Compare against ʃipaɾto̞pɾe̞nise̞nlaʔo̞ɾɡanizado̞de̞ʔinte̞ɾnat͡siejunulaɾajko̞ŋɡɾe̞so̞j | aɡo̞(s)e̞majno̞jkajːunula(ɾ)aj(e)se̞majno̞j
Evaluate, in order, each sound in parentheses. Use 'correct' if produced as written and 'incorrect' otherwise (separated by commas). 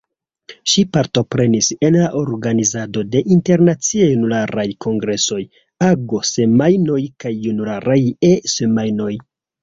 correct, correct, correct